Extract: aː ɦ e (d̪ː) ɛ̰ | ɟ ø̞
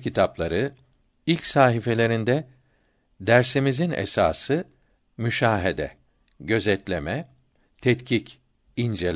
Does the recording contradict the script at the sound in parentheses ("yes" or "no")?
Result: yes